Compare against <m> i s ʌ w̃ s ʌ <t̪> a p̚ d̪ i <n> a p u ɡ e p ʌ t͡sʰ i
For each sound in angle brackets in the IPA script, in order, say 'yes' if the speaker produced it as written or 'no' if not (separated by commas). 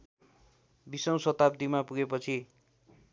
no, yes, no